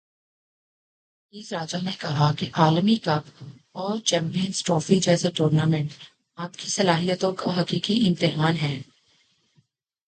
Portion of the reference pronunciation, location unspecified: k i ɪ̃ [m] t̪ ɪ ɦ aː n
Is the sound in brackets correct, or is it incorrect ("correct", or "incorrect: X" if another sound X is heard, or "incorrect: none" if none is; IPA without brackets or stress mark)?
correct